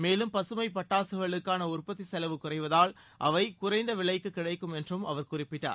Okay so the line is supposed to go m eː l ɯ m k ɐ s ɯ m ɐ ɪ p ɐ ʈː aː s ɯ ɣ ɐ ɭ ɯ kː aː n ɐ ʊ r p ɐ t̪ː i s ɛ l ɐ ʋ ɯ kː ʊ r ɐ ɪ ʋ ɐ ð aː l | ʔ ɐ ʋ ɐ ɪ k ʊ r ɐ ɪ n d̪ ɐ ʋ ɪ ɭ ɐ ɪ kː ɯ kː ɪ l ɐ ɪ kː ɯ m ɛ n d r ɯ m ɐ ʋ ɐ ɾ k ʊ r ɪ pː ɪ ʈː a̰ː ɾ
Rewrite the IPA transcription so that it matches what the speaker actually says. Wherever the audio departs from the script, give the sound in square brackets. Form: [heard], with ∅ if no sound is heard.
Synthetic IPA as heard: m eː l ɯ m [p] ɐ s ɯ m ɐ ɪ p ɐ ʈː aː s ɯ ɣ ɐ ɭ ɯ kː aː n ɐ ʊ r p ɐ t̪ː i s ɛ l ɐ ʋ ɯ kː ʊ r ɐ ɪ ʋ ɐ ð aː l | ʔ ɐ ʋ ɐ ɪ k ʊ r ɐ ɪ n d̪ ɐ ʋ ɪ ɭ ɐ ɪ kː ɯ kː ɪ [ɽ] ɐ ɪ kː ɯ m ɛ n d r ɯ m ɐ ʋ ɐ ɾ k ʊ r ɪ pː ɪ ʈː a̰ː ɾ